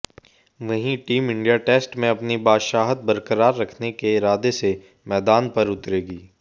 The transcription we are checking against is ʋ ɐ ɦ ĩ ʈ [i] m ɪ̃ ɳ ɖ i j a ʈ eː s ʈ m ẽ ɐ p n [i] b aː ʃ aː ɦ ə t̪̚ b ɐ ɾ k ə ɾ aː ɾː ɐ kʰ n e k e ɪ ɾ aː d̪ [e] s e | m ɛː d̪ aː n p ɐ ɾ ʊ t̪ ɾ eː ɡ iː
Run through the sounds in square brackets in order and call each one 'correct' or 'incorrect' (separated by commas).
incorrect, correct, correct